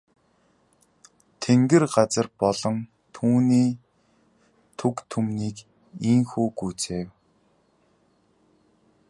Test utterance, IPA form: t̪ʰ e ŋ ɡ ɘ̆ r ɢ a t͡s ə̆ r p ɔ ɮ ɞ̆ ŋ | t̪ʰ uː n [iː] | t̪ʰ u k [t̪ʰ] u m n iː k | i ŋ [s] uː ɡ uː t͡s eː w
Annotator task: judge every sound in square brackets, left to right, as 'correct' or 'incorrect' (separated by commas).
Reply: correct, correct, incorrect